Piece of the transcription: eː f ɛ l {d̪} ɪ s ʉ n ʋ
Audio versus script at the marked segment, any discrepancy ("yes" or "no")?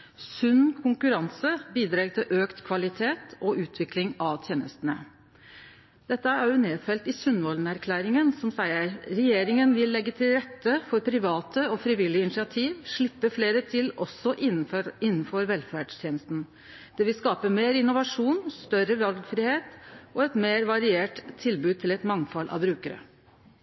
yes